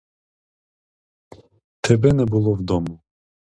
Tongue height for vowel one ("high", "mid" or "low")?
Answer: mid